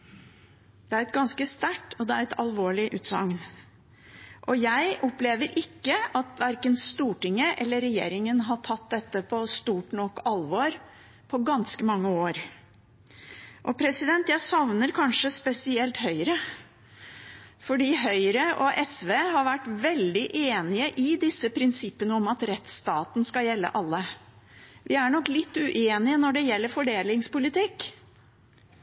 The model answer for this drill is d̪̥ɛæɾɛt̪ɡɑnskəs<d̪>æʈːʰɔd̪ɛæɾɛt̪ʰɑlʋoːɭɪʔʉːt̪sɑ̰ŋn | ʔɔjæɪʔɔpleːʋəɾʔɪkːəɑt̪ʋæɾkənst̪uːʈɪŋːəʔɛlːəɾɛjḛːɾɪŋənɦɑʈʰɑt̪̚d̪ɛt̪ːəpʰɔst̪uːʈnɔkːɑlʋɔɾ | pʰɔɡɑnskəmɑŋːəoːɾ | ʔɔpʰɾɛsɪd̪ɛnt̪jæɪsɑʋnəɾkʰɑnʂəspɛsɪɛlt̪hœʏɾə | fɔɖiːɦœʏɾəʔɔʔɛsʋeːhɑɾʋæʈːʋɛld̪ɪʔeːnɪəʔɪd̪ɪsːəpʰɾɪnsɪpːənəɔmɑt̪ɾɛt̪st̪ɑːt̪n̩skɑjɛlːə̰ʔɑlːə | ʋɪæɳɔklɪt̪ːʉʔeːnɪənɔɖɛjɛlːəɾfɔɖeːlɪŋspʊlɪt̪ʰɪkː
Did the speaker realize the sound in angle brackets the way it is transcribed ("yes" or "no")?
no